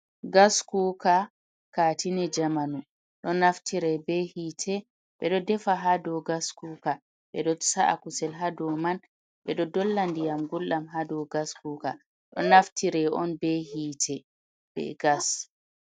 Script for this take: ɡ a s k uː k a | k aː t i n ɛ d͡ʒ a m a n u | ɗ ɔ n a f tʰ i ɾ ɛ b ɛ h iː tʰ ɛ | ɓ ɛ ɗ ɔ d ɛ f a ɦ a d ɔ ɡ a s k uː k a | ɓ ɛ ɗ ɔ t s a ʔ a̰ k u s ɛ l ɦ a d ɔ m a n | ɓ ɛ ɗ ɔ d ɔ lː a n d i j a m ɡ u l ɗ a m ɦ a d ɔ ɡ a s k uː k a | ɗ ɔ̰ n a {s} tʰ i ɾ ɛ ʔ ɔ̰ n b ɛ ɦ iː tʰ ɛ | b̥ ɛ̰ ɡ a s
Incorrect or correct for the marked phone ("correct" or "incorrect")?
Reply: incorrect